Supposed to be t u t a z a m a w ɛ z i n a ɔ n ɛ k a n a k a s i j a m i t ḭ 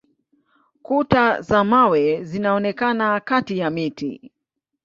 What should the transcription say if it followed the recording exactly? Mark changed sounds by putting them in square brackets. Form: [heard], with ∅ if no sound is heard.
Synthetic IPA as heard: [k] u t a z a m a w ɛ z i n a ɔ n ɛ k a n a k a [t] i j a m i t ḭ